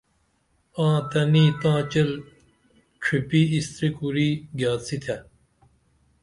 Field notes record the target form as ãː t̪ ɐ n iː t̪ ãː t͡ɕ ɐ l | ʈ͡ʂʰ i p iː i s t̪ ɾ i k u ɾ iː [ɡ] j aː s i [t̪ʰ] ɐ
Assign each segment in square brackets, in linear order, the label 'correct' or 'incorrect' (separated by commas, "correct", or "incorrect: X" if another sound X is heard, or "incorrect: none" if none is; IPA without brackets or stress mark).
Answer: correct, correct